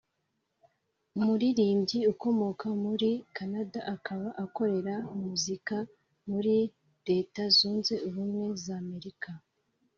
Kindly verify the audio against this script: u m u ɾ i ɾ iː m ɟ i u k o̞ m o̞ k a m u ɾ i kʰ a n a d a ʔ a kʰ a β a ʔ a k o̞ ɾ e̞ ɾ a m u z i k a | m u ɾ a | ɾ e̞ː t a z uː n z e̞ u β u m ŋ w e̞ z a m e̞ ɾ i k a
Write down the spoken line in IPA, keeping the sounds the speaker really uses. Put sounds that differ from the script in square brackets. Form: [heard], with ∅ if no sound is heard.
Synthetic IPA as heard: u m u ɾ i ɾ iː m ɟ i u k o̞ m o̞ k a m u ɾ i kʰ a n a d a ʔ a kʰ a β a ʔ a k o̞ ɾ e̞ ɾ a m u z i k a | m u ɾ [i] | ɾ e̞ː t a z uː n z e̞ u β u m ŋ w e̞ z a m e̞ ɾ i k a